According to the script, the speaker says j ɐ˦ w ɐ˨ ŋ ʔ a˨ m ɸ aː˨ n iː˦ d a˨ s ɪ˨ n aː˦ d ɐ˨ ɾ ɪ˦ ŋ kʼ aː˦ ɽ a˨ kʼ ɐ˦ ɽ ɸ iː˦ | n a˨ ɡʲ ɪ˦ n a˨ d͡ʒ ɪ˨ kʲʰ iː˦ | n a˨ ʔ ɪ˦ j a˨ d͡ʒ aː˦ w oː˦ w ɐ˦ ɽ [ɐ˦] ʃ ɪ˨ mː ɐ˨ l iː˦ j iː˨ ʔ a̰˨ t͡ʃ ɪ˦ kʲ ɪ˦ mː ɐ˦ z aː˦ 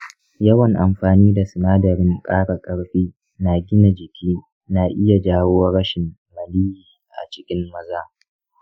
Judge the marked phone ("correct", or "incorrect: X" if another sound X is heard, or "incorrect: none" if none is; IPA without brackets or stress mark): correct